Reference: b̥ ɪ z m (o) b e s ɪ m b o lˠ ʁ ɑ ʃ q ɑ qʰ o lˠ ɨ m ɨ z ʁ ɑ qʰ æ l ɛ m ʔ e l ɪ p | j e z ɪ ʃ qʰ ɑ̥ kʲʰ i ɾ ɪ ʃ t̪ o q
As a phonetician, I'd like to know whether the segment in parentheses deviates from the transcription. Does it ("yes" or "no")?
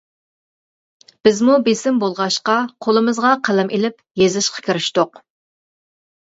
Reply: yes